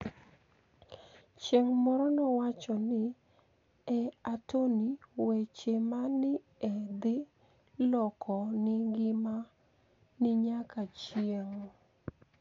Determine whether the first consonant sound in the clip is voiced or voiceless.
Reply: voiceless